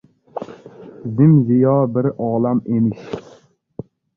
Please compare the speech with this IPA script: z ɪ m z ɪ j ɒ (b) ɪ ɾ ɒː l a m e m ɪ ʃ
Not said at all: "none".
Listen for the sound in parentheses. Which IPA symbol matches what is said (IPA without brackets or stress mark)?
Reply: b